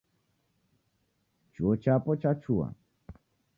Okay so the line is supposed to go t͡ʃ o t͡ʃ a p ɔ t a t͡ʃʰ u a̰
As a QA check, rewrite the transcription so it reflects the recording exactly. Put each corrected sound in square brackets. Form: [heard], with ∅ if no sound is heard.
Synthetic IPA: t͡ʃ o t͡ʃ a p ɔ [t͡ʃ] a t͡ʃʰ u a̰